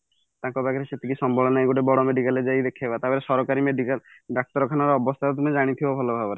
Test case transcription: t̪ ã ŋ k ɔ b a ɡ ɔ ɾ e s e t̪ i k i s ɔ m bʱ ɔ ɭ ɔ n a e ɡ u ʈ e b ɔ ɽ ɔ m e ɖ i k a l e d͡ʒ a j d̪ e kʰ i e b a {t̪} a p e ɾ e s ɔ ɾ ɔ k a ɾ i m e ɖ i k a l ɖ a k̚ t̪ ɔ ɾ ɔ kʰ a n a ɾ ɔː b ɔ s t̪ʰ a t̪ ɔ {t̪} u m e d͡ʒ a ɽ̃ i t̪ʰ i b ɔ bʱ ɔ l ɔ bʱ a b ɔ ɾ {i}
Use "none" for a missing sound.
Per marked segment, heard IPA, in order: t̪, t̪, e

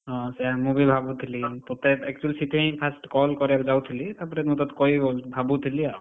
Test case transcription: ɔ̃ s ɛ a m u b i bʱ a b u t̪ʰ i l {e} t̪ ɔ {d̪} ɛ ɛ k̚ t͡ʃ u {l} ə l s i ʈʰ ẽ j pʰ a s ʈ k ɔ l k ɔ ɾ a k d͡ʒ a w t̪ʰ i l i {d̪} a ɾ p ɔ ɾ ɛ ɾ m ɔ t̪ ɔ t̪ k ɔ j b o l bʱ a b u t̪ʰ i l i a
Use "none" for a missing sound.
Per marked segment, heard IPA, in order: i, t̪, none, t̪

